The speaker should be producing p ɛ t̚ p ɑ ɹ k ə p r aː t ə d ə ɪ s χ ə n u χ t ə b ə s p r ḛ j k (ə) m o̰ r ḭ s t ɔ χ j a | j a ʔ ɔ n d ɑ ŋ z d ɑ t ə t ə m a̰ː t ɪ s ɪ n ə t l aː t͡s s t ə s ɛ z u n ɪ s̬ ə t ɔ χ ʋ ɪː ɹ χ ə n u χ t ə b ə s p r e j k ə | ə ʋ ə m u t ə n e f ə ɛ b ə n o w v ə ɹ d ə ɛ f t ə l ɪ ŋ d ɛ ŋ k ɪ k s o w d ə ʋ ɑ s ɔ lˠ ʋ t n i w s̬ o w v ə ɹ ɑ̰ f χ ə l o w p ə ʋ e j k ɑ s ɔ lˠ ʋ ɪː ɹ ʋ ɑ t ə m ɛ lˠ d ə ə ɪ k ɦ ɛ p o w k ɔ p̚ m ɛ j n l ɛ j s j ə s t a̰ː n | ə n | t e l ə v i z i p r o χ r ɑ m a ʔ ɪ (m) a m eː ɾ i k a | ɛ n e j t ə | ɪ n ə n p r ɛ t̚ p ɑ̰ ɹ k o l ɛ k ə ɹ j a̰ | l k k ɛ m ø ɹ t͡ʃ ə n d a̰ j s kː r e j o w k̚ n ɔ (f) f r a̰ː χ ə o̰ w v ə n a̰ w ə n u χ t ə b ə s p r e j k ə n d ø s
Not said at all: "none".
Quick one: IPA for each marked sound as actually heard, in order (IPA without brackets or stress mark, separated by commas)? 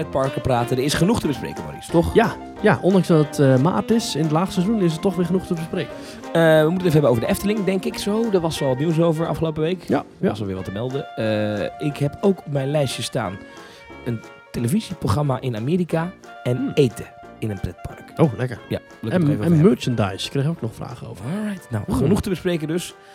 ə, n, χ